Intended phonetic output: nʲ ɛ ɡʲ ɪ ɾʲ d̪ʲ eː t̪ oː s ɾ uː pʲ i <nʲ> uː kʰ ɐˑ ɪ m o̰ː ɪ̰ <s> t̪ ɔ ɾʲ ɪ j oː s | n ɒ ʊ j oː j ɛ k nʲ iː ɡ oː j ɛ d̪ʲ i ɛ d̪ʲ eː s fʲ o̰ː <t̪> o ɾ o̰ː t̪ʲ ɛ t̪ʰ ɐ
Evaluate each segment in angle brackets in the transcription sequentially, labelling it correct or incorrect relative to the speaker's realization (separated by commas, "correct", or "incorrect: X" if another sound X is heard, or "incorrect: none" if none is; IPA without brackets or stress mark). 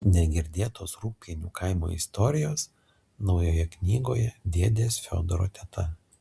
correct, correct, incorrect: d̪